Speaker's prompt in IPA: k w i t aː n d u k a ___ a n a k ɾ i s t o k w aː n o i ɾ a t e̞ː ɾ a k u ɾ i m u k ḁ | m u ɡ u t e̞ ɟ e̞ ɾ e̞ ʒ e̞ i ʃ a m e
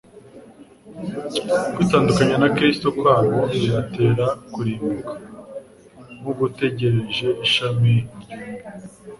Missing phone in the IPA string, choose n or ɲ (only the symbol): ɲ